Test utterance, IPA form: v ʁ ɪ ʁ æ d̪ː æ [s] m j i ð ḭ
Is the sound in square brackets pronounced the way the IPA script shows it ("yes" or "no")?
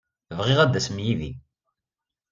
yes